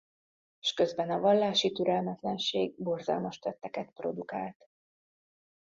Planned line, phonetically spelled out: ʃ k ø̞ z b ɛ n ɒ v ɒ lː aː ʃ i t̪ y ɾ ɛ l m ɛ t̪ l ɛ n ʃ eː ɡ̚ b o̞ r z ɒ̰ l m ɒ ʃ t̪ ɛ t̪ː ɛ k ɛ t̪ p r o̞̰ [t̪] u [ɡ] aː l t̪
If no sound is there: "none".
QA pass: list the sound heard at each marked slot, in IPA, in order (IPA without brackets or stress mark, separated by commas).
d̪, k